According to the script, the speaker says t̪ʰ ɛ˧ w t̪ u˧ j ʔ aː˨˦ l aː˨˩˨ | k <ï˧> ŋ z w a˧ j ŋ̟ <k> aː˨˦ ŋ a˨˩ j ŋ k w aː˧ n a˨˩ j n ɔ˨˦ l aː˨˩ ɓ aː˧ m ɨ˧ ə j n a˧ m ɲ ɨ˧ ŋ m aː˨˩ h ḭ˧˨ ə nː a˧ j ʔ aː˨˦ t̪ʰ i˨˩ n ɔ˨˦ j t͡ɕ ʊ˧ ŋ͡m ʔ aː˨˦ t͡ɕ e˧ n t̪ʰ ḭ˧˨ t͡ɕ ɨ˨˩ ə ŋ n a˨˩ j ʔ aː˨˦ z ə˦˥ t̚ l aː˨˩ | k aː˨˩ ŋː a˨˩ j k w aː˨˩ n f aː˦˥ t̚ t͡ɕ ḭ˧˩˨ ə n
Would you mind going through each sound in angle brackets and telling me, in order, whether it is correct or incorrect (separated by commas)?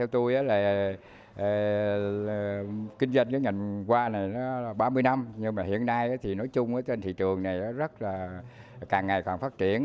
correct, correct